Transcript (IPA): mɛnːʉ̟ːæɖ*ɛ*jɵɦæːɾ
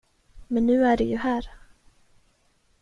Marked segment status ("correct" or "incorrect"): correct